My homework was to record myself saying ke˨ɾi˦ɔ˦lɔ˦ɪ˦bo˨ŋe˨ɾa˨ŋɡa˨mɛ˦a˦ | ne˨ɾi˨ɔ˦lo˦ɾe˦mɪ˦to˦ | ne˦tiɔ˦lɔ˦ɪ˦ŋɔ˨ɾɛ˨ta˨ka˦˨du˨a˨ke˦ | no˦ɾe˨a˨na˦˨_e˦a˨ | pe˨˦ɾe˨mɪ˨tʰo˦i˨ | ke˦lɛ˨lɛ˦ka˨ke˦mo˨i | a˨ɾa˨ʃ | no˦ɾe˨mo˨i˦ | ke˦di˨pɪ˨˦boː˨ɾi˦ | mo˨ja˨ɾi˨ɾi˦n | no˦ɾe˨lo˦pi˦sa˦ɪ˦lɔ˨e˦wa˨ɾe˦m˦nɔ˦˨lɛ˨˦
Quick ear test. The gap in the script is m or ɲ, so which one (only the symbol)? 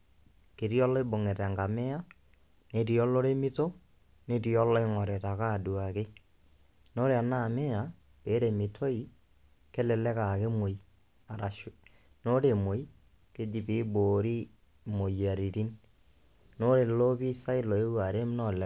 m